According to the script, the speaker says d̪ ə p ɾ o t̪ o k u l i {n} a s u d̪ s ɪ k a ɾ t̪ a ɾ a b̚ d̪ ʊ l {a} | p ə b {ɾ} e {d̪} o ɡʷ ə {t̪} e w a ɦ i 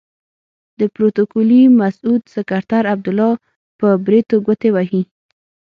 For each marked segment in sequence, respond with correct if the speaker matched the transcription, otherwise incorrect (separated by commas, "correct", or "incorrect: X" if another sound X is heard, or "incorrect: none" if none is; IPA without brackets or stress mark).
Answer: incorrect: m, incorrect: ɑ, correct, incorrect: t̪, correct